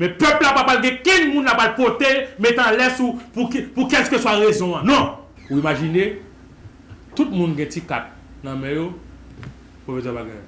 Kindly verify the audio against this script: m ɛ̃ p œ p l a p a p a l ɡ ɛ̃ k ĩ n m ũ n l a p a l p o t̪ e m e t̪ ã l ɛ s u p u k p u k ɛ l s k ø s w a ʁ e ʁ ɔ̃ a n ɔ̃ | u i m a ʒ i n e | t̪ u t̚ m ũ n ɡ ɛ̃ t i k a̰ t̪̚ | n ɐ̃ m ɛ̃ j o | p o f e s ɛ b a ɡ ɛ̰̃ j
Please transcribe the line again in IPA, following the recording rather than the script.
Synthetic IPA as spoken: m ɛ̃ p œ p l a p a p a l ɡ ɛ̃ k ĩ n m ũ n l a p a l p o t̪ e m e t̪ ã l ɛ s u p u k p u k ɛ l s k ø s w a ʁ e z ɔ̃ a n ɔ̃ | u i m a ʒ i n e | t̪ u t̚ m ũ n ɡ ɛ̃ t i k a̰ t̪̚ | n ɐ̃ m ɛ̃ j o | p o f e s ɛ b a ɡ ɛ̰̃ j